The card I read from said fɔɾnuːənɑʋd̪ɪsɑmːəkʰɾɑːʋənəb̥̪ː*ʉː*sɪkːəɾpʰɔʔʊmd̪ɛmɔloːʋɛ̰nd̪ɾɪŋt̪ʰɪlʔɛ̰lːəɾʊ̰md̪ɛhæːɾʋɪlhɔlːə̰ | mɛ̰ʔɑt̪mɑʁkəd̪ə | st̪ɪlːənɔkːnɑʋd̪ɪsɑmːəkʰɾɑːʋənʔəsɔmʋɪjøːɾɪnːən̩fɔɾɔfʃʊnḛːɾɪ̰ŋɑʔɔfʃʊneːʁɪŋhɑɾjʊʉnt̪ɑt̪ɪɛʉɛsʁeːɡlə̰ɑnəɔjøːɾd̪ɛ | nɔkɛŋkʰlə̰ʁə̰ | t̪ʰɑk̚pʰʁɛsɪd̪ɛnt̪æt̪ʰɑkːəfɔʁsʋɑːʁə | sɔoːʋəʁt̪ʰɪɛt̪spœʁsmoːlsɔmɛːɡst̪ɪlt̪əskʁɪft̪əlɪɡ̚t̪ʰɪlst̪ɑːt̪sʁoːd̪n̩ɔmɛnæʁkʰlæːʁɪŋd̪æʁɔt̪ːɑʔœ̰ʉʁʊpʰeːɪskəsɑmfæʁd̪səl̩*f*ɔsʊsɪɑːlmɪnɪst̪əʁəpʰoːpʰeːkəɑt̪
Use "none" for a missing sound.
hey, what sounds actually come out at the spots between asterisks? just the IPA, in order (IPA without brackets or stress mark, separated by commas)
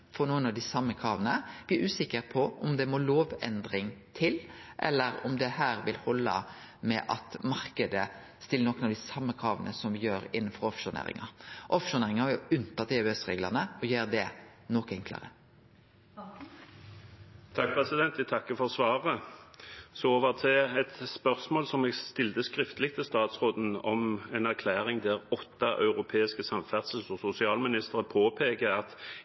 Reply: ʉː, s